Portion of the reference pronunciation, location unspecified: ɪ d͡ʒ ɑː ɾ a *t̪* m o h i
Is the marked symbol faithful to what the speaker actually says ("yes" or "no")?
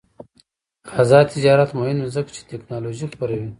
yes